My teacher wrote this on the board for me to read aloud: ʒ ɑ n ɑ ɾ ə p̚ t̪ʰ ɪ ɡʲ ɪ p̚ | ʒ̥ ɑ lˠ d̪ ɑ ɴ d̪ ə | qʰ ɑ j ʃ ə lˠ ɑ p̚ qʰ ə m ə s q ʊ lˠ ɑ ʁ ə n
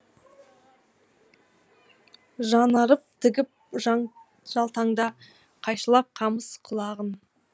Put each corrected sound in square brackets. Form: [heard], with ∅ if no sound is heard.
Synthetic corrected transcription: ʒ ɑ n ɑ ɾ ə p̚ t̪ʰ ɪ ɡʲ ɪ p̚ | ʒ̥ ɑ lˠ [t̪] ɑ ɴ d̪ [ɑ] | qʰ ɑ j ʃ ə lˠ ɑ p̚ qʰ [ɑ] m ə s [qʰ] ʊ lˠ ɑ ʁ ə n